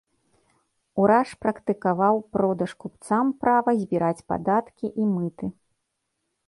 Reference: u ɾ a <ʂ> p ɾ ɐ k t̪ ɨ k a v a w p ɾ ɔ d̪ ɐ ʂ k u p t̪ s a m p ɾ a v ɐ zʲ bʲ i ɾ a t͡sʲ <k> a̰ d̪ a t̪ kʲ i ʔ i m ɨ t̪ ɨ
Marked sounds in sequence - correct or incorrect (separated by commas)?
correct, incorrect